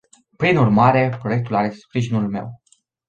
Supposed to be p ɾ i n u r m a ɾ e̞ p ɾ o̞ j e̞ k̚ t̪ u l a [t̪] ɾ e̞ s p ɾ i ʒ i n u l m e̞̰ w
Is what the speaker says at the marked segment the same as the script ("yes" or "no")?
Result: no